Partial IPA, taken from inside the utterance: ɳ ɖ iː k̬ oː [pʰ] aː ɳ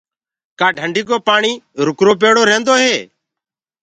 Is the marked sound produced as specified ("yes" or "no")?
no